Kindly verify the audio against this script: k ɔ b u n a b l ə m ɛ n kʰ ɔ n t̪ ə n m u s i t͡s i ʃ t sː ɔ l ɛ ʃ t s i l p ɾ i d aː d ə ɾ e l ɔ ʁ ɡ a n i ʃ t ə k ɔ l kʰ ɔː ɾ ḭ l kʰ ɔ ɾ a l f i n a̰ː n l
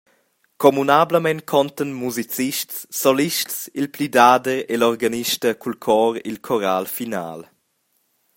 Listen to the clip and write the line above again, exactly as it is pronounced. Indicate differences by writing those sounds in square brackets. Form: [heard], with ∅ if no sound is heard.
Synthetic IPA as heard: k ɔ [m] u n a b l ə m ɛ n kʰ ɔ n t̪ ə n m u [z] i t͡s i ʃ t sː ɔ l [i] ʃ t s i l p [l] i d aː d ə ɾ e l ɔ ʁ ɡ a n i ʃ t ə k [u] l kʰ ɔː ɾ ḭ l kʰ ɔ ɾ a l f i n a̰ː [∅] l